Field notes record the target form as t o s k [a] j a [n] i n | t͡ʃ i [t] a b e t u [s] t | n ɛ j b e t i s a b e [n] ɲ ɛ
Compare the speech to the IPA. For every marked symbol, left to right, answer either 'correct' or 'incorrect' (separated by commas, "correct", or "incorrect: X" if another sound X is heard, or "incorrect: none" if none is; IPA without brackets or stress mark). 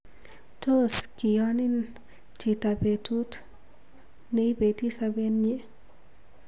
incorrect: i, correct, correct, incorrect: none, correct